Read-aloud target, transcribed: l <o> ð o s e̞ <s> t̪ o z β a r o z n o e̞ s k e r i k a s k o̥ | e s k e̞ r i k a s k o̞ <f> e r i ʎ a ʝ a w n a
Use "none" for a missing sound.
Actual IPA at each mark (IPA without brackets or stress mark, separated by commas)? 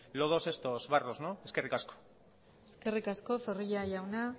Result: o, s, f